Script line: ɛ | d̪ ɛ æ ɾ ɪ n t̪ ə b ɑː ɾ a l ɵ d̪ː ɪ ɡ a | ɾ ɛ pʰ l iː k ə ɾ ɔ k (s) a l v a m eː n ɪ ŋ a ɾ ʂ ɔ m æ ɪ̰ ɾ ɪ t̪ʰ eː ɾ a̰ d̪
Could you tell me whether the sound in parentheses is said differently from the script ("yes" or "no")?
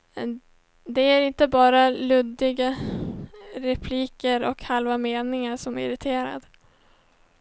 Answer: yes